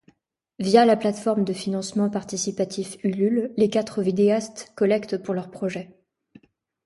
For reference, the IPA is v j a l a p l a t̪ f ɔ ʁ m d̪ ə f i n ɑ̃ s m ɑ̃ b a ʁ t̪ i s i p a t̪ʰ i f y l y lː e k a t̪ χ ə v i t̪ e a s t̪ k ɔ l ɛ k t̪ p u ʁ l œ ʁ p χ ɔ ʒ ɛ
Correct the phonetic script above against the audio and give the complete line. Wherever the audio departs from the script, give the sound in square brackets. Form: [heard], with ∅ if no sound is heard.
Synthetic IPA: v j a l a p l a t̪ f ɔ ʁ m d̪ ə f i n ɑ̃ s m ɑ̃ [p] a ʁ t̪ i s i p a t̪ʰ i f y l y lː e k a t̪ χ ə v i [d̪] e a s t̪ k ɔ l ɛ k t̪ p u ʁ l œ ʁ p χ ɔ ʒ ɛ